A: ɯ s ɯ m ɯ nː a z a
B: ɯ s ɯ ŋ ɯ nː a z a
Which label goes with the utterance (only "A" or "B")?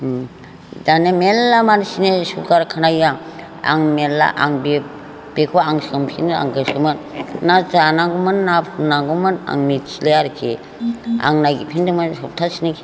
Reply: A